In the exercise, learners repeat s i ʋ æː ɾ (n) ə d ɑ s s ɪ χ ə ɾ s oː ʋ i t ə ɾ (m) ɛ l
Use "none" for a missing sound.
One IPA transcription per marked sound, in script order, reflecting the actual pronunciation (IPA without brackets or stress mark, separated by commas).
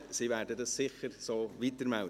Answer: d, m